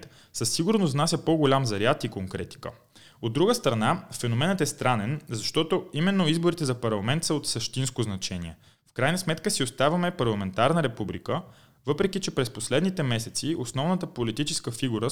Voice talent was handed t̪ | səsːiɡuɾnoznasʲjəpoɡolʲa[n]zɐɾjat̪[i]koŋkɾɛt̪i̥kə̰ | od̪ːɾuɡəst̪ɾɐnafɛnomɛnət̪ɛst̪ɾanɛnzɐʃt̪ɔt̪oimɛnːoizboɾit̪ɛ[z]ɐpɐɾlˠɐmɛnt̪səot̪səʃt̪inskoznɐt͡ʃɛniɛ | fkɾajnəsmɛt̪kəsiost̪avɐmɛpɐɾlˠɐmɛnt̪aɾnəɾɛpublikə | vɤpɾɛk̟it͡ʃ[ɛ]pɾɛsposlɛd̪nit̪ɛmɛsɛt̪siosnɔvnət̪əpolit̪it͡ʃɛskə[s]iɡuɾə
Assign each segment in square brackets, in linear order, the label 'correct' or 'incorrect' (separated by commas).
incorrect, correct, correct, correct, incorrect